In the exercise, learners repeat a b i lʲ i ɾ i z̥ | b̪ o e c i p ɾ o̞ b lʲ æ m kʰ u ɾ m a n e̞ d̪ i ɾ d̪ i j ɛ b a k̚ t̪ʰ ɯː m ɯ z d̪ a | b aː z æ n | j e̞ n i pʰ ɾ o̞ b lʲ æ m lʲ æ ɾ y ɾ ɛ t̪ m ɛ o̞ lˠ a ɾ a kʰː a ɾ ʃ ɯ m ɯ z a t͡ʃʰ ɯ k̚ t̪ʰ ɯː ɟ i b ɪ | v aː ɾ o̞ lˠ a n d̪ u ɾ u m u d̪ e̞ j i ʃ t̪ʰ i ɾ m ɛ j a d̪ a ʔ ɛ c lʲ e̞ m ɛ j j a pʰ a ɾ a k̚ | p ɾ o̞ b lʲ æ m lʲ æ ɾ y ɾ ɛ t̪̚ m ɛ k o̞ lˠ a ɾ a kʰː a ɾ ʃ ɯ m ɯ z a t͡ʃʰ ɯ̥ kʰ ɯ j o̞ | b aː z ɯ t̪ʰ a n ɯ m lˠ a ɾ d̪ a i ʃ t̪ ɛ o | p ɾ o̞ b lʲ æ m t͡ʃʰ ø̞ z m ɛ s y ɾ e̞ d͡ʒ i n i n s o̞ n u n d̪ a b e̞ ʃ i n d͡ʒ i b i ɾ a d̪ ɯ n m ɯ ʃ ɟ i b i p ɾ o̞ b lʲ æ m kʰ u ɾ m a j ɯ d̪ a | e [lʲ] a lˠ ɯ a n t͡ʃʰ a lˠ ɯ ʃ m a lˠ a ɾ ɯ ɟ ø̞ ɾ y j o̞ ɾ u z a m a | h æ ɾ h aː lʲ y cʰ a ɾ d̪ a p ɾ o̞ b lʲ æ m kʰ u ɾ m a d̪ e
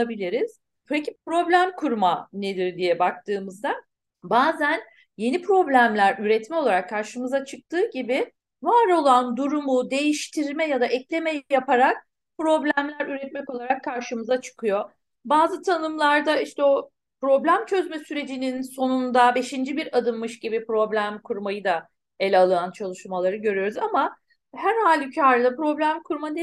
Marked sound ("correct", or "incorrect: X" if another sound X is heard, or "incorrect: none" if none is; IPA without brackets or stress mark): correct